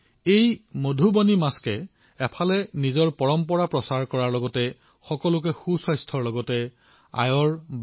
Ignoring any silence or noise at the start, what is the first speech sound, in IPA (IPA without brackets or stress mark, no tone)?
e